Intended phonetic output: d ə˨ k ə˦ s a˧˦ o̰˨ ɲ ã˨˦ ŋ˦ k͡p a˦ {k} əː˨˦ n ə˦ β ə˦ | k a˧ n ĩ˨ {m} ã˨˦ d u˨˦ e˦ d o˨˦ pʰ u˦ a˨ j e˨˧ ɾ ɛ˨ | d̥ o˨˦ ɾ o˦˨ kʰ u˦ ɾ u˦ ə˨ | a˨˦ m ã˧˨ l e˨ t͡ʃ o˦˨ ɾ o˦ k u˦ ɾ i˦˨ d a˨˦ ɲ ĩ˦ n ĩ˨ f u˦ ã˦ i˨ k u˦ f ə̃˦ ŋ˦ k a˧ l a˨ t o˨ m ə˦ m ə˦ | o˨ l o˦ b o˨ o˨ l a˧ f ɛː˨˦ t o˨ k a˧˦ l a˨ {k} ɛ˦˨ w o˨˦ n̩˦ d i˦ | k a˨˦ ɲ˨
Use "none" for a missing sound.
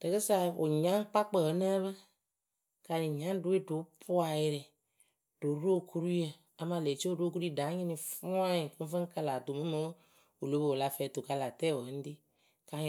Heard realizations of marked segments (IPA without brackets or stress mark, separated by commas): k͡p, ɲ, t